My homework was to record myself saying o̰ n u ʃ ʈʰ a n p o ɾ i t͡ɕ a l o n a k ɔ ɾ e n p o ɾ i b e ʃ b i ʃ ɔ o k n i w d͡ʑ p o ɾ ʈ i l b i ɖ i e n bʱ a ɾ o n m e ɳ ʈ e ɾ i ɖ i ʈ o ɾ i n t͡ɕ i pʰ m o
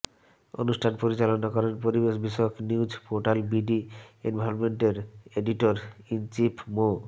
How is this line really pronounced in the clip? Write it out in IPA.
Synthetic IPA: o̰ n u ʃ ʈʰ a n p o ɾ i t͡ɕ a l o n a k ɔ ɾ e n p o ɾ i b e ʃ b i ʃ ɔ o k n i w d͡ʑ p o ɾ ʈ a l b i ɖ i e n bʱ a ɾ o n m e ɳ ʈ e ɾ e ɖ i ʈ o ɾ i n t͡ɕ i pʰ m o

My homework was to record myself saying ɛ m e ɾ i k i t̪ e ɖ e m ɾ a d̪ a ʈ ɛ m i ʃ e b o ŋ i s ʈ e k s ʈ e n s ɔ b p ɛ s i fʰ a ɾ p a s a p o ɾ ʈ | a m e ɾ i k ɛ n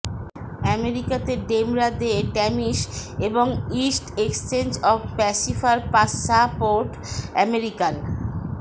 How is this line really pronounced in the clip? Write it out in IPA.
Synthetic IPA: ɛ m e ɾ i k a t̪ e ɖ e m ɾ a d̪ e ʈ ɛ m i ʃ e b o ŋ i s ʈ e k s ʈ e n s ɔ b p ɛ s i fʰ a ɾ p a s a p o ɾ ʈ | ɛ m e ɾ i k a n

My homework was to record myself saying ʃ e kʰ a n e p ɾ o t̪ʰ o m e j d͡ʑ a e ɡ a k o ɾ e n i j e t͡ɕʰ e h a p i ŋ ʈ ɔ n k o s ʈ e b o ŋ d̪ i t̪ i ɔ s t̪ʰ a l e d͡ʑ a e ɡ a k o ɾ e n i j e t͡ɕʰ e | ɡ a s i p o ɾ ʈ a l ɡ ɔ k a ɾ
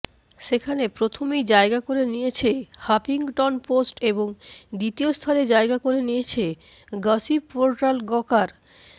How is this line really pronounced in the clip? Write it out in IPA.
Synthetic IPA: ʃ e kʰ a n e p ɾ o t̪ʰ o m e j d͡ʑ a e ɡ a k o ɾ e n i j e t͡ɕʰ e h a p i ŋ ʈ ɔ n p o s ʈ e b o ŋ d̪ i t̪ i o s t̪ʰ a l e d͡ʑ a e ɡ a k o ɾ e n i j e t͡ɕʰ e | ɡ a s i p o ɾ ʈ a l ɡ ɔ k a ɾ

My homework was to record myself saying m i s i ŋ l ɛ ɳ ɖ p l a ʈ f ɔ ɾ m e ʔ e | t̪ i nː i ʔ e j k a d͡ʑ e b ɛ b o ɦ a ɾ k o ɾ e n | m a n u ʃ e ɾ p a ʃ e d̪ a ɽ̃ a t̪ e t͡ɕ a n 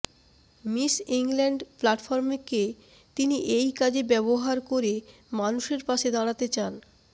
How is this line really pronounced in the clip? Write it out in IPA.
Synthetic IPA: m i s i ŋ l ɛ ɳ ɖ p l a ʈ f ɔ ɾ m e k e | t̪ i n i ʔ e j k a d͡ʑ e b ɛ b o ɦ a ɾ k o ɾ e | m a n u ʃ e ɾ p a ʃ e d̪ a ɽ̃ a t̪ e t͡ɕ a n

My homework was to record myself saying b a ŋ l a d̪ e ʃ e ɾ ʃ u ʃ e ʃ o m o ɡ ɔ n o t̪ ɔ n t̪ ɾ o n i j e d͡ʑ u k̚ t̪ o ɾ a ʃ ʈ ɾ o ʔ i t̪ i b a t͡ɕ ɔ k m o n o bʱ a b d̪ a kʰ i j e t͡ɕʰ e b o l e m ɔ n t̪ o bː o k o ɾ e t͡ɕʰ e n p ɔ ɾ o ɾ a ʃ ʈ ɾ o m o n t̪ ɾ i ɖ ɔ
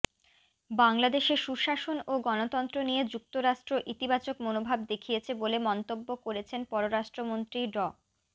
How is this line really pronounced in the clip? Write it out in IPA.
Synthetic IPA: b a ŋ l a d̪ e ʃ e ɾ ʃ u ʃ a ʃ o n o ɡ ɔ n o t̪ ɔ n t̪ ɾ o n i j e d͡ʑ u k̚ t̪ o ɾ a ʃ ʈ ɾ o ʔ i t̪ i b a t͡ɕ o k m o n o bʱ a b d̪ e kʰ i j e t͡ɕʰ e b o l e m ɔ n t̪ o bː o k o ɾ e t͡ɕʰ e n p ɔ ɾ o ɾ a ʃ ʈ ɾ o m o n t̪ ɾ i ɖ ɔ

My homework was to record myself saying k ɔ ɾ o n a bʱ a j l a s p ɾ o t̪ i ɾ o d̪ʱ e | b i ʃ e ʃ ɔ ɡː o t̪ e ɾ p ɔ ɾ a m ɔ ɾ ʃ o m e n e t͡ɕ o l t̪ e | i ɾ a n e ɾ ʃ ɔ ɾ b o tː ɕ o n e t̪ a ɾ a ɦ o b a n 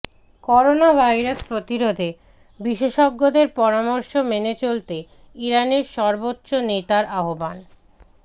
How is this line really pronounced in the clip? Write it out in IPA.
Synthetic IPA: k ɔ ɾ o n a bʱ a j ɾ a s p ɾ o t̪ i ɾ o d̪ʱ e | b i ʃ e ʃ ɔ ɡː o d̪ e ɾ p ɔ ɾ a m ɔ ɾ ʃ o m e n e t͡ɕ o l t̪ e | i ɾ a n e ɾ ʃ ɔ ɾ b o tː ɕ o n e t̪ a ɾ a ɦ o b a n

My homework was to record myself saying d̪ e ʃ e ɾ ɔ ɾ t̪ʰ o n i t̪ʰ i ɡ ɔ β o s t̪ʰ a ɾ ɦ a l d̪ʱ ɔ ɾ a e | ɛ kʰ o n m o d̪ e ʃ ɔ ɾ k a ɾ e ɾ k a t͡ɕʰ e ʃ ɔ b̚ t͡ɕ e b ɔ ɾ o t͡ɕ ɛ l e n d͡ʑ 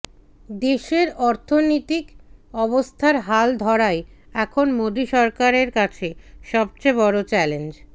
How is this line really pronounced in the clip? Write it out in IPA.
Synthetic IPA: d̪ e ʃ e ɾ ɔ ɾ t̪ʰ o n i t̪ i k ɔ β o s t̪ʰ a ɾ ɦ a l d̪ʱ ɔ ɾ a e | ɛ kʰ o n m o d̪ i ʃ ɔ ɾ k a ɾ e ɾ k a t͡ɕʰ e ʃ ɔ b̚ t͡ɕ e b ɔ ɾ o t͡ɕ ɛ l e n d͡ʑ

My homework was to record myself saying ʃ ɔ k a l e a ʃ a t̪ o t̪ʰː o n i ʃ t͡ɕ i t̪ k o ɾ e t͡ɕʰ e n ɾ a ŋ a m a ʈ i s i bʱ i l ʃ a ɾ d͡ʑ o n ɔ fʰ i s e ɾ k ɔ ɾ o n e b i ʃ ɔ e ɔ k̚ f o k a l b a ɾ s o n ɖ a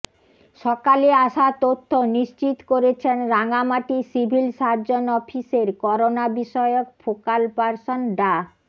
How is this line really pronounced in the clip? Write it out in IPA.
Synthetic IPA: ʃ ɔ k a l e a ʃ a t̪ o t̪ʰː o n i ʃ t͡ɕ i t̪ k o ɾ e t͡ɕʰ e n ɾ a ŋ a m a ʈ i s i bʱ i l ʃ a ɾ d͡ʑ o n ɔ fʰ i s e ɾ k ɔ ɾ o n a b i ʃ ɔ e o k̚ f o k a l p a ɾ s o n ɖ a

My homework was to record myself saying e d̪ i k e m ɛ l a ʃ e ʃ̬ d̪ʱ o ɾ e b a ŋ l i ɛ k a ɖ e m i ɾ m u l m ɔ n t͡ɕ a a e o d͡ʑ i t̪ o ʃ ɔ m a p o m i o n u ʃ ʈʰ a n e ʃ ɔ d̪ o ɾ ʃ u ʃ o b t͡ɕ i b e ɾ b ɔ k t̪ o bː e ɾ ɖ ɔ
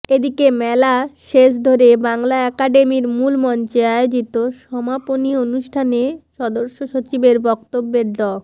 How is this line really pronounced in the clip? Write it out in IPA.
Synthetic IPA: e d̪ i k e m ɛ l a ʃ e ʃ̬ d̪ʱ o ɾ e b a ŋ l a ɛ k a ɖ e m i ɾ m u l m ɔ n t͡ɕ e a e o d͡ʑ i t̪ o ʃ ɔ m a p o n i o n u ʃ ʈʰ a n e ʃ ɔ d̪ o ɾ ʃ o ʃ o t͡ɕ i b e ɾ b ɔ k t̪ o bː e ɾ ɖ ɔ

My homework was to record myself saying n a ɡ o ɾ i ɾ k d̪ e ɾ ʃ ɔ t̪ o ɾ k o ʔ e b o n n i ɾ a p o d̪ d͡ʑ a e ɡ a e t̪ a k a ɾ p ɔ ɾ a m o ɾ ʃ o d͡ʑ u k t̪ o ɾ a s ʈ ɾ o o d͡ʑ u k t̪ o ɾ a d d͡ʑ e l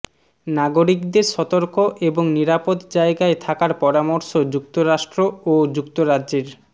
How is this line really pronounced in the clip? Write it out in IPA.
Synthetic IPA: n a ɡ o ɾ i k d̪ e ɾ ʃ ɔ t̪ o ɾ k o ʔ e b o ŋ n i ɾ a p o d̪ d͡ʑ a e ɡ a e t̪ʰ a k a ɾ p ɔ ɾ a m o ɾ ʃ o d͡ʑ u k t̪ o ɾ a ʃ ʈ ɾ o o d͡ʑ u k t̪ o ɾ a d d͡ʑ e ɾ

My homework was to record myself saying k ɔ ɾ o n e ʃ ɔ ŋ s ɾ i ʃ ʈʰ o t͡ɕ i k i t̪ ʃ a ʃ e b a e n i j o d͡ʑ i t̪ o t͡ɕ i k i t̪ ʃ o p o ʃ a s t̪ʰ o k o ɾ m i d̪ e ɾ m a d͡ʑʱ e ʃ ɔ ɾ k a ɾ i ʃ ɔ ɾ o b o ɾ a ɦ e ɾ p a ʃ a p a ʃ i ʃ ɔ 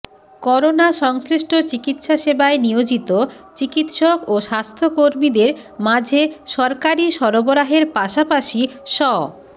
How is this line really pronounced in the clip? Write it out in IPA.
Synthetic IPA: k ɔ ɾ o n a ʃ ɔ ŋ s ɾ i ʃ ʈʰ o t͡ɕ i k i t̪ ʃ a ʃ e b a e n i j o d͡ʑ i t̪ o t͡ɕ i k i t̪ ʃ o k o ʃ a s t̪ʰ o k o ɾ m i d̪ e ɾ m a d͡ʑʱ e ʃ ɔ ɾ k a ɾ i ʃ ɔ ɾ o b o ɾ a ɦ e ɾ p a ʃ a p a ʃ i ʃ ɔ

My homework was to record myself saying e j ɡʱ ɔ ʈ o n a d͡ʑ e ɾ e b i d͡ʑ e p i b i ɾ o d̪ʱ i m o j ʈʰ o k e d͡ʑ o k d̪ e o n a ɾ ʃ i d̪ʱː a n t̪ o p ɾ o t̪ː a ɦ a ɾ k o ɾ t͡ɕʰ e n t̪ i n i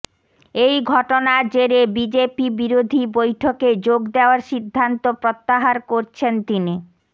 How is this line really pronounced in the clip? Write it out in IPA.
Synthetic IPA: e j ɡʱ ɔ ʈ o n a d͡ʑ e ɾ e b i d͡ʑ e p i b i ɾ o d̪ʱ i b o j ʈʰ o k e d͡ʑ o ɡ d̪ e o a ɾ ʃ i d̪ʱː a n t̪ o p ɾ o t̪ː a ɦ a ɾ k o ɾ t͡ɕʰ e n t̪ i n i

